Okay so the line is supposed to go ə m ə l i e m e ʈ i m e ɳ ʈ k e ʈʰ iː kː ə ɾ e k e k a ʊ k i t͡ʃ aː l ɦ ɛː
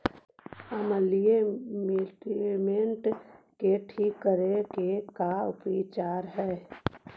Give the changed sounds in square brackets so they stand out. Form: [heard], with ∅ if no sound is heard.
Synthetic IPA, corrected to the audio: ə m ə l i e m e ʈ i m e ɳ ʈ k e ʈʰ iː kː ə ɾ e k e k a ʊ [p] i t͡ʃ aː [ɾ] ɦ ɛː